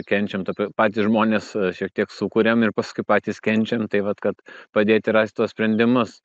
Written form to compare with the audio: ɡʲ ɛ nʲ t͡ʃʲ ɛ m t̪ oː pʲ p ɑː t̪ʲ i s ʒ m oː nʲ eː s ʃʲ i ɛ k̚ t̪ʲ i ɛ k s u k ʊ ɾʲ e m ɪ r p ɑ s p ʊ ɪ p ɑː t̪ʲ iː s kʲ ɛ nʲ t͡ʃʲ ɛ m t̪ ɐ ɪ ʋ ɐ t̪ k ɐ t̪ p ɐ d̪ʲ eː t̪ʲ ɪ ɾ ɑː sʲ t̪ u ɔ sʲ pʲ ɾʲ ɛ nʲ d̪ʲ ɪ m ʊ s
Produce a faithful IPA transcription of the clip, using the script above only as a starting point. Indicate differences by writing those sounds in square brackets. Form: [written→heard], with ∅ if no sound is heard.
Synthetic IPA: [ɡʲ→kʲ] ɛ nʲ t͡ʃʲ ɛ m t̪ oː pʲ p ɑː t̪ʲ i s ʒ m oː nʲ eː s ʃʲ i ɛ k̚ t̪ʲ i ɛ k s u k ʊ ɾʲ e m ɪ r p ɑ s [p→k] ʊ ɪ p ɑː t̪ʲ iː s kʲ ɛ nʲ t͡ʃʲ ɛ m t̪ ɐ ɪ ʋ ɐ t̪ k ɐ t̪ p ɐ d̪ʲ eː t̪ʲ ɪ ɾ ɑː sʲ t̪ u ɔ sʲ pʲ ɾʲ ɛ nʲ d̪ʲ ɪ m ʊ s